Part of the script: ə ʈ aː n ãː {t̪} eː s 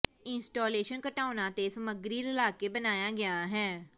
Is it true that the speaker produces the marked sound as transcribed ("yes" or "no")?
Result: yes